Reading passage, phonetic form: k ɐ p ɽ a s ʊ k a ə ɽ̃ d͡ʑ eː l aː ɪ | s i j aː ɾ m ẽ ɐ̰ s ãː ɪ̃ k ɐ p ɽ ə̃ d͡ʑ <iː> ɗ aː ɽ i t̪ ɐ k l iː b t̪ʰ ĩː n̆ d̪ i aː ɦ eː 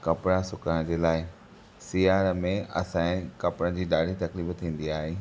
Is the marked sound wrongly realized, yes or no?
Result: no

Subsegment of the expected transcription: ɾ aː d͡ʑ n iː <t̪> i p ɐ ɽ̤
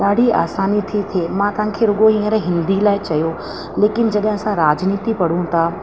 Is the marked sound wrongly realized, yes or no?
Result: no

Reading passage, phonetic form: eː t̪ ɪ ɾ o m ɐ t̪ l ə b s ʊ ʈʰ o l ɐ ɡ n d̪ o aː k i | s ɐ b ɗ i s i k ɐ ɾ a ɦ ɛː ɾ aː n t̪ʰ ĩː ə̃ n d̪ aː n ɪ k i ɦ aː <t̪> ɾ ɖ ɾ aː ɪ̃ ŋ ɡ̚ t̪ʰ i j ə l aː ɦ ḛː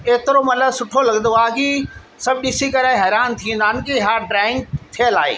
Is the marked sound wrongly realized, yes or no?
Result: yes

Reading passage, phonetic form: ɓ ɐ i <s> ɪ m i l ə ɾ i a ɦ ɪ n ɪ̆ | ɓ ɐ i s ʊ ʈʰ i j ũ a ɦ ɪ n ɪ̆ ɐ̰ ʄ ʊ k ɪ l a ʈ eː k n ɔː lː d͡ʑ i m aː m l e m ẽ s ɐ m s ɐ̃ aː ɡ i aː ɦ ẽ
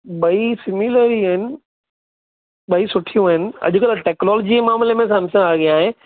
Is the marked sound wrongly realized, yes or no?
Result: no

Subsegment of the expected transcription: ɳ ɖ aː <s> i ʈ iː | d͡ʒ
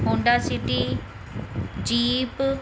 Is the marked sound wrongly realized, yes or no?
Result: no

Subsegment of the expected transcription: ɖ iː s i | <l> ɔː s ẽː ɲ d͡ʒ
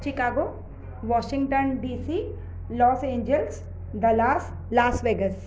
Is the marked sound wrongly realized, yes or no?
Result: no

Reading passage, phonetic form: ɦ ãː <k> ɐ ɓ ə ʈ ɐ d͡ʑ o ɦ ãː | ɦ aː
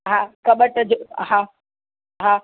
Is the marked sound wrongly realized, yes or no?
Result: no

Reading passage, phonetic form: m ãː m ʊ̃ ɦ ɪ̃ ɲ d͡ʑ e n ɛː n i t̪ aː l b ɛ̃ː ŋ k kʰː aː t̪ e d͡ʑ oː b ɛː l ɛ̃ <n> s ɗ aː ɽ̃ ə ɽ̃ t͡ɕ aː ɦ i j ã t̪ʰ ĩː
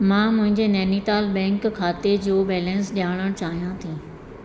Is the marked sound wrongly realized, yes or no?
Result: no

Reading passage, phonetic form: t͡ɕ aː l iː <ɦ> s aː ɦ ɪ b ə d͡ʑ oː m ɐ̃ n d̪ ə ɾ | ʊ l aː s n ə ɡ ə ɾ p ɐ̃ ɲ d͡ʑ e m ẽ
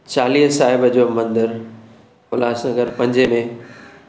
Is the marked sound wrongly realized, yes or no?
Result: no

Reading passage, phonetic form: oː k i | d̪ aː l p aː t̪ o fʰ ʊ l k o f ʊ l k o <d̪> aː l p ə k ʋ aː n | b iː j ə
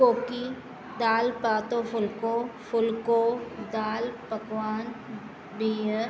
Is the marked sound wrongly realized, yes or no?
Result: no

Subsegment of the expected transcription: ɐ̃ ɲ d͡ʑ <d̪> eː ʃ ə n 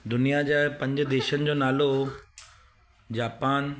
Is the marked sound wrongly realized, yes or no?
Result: no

